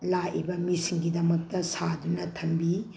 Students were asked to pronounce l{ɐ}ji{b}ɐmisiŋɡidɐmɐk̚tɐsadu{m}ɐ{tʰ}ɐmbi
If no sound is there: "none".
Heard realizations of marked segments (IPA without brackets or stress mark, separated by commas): a, b, n, tʰ